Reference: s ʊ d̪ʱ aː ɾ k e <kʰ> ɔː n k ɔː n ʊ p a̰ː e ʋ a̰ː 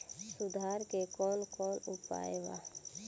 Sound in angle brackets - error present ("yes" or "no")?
yes